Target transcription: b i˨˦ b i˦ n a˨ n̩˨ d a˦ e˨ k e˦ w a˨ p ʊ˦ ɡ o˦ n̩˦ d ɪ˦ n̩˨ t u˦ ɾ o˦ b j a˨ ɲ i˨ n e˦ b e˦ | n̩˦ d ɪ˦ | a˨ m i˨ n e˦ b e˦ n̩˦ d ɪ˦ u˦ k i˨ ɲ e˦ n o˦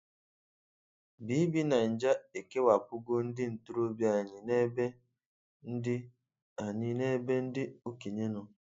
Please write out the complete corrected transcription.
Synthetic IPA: b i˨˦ b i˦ n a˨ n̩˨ d͡ʒ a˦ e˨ k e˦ w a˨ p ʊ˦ ɡ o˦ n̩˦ d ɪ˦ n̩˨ t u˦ ɾ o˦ b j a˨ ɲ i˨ n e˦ b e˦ | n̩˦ d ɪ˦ | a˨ ɲ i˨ n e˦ b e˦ n̩˦ d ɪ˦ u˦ k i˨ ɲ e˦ n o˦

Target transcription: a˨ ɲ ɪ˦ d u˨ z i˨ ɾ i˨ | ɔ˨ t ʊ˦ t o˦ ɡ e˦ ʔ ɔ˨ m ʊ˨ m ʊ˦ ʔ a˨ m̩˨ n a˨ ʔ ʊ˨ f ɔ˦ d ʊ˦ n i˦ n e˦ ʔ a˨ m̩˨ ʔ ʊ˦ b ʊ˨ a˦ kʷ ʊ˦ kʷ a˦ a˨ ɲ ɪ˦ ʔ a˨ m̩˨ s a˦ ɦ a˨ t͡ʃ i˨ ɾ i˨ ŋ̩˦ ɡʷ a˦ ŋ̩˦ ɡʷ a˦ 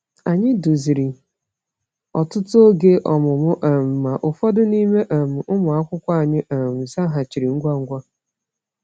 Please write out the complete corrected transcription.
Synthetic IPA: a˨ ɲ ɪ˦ d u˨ z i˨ ɾ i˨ | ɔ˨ t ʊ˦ t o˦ ɡ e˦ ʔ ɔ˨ m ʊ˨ m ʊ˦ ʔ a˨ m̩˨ m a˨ ʔ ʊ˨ f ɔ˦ d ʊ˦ n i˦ m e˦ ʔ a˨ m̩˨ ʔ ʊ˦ m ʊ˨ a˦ kʷ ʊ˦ kʷ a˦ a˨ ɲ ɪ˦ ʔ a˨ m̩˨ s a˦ ɦ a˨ t͡ʃ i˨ ɾ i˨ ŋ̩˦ ɡʷ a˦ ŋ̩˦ ɡʷ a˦

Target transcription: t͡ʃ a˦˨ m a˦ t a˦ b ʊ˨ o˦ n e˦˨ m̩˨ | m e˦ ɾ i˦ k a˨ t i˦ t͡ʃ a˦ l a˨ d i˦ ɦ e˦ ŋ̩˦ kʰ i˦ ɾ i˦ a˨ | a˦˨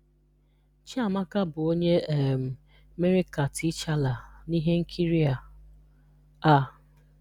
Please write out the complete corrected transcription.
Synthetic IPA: t͡ʃ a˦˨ m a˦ k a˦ b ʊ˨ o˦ ɲ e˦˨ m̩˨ | m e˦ ɾ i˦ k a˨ t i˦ t͡ʃ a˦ l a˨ n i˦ ɦ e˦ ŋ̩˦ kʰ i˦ ɾ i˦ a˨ | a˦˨

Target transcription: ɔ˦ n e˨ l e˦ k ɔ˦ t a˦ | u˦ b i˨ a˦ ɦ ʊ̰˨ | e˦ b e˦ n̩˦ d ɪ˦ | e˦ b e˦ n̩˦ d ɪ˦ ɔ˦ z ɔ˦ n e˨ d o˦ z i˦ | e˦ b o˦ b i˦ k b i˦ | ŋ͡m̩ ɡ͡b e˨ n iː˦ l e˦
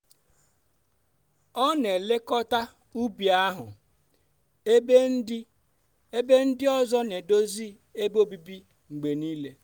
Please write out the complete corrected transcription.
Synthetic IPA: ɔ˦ n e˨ l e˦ k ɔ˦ t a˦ | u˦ b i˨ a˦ ɦ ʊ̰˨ | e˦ b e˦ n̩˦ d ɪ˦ | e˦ b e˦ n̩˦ d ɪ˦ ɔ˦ z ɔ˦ n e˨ d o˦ z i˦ | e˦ b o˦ b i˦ b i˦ | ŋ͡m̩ ɡ͡b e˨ n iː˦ l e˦

